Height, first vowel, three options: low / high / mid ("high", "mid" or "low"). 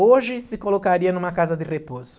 mid